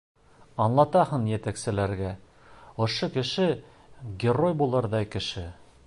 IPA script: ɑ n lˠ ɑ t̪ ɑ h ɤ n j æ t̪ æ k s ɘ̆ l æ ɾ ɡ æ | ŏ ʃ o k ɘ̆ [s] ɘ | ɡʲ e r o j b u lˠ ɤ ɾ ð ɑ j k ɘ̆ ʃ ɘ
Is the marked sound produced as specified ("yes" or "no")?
no